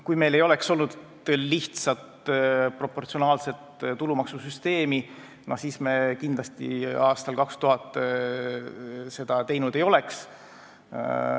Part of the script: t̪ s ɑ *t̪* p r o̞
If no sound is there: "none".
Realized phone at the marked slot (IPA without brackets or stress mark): t̪